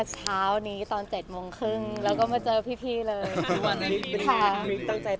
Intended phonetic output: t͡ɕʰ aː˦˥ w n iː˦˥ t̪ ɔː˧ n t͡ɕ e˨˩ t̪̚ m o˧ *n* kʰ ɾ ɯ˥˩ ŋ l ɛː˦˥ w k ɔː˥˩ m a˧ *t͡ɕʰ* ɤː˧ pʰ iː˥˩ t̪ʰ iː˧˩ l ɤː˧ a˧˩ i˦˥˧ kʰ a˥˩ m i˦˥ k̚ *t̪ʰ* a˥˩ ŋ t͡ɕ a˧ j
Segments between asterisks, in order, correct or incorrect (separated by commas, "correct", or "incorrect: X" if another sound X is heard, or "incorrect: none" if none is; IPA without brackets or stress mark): incorrect: ŋ, incorrect: t͡ɕ, incorrect: t̪